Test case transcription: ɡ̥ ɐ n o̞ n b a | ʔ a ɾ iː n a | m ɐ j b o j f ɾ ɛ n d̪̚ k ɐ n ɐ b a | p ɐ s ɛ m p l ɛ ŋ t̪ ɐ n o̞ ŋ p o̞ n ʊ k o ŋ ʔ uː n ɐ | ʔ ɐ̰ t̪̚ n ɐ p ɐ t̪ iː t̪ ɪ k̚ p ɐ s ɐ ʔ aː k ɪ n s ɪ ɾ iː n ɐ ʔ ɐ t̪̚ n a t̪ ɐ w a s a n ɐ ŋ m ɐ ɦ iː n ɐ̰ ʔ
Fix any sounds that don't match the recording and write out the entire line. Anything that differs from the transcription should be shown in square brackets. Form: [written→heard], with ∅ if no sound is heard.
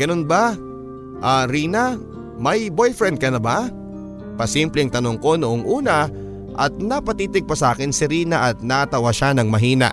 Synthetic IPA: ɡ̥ ɐ n o̞ n b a | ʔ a ɾ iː n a | m ɐ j b o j f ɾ ɛ n d̪̚ k ɐ n ɐ b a | p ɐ s [ɛ→i] m p l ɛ ŋ t̪ ɐ n o̞ ŋ [p→k] o̞ n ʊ [k→ʔ] o ŋ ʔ uː n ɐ | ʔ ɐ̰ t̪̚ n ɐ p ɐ t̪ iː t̪ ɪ [k̚→ɡ̚] p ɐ s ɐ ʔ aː k ɪ n s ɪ ɾ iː n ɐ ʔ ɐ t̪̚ n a t̪ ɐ w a [s→ʃ] a n ɐ ŋ m ɐ ɦ iː n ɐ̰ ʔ